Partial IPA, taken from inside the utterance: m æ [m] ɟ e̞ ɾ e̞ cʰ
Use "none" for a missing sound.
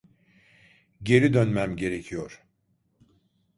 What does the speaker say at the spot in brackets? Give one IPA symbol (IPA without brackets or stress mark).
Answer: m